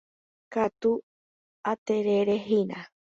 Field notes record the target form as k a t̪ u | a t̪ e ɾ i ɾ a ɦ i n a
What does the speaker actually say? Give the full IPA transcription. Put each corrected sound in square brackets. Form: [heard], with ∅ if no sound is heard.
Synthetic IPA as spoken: k a t̪ u | a t̪ e ɾ [e] ɾ [e] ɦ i n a